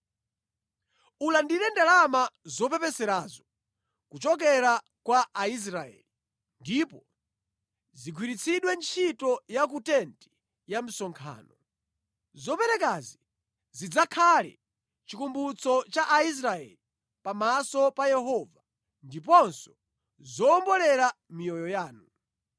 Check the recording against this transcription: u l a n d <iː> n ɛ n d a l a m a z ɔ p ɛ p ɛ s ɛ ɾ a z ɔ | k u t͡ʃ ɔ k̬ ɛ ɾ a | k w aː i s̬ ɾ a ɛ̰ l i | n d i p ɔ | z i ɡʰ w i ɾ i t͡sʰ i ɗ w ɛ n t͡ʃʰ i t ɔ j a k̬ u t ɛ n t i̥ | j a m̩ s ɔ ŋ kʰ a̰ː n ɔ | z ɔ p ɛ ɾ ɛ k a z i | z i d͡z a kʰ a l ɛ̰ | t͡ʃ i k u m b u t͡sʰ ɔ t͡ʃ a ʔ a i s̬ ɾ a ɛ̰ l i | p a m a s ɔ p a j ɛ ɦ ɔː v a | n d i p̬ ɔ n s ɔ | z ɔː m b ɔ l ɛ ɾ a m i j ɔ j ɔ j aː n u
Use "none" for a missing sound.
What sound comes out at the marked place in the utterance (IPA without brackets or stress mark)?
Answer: i